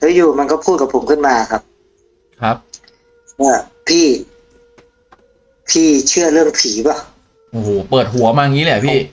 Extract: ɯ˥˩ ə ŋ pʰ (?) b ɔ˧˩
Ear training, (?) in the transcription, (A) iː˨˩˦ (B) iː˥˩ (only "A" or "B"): A